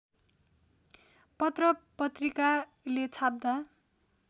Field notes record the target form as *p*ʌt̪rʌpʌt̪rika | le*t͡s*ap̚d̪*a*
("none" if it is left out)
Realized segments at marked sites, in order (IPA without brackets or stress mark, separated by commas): p, t͡sʰ, a